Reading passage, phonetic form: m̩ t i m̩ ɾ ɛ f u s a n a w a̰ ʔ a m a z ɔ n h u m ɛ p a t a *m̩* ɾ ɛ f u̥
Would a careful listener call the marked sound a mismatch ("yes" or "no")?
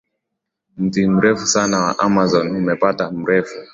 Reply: no